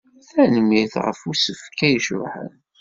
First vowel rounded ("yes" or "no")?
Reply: no